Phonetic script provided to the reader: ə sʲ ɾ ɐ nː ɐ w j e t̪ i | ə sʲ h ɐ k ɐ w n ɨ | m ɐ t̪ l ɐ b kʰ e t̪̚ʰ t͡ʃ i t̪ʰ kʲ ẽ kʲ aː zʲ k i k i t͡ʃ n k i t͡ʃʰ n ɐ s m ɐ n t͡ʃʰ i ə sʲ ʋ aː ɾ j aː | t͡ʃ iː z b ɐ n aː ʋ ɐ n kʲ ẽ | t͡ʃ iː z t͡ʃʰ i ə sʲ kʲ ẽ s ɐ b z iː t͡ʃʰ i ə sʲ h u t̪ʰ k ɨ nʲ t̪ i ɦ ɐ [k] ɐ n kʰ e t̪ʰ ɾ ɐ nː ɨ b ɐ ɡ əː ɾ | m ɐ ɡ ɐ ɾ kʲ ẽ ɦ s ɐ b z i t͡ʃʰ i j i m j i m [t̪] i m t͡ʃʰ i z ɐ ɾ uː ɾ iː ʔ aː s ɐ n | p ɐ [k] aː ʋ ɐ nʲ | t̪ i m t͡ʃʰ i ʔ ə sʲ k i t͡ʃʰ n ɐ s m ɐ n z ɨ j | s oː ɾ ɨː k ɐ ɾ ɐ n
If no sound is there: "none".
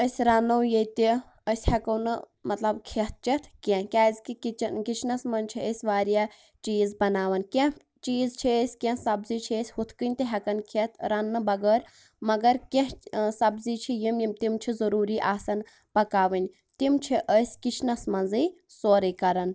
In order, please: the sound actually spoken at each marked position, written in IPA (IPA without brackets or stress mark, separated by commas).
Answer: k, t̪, k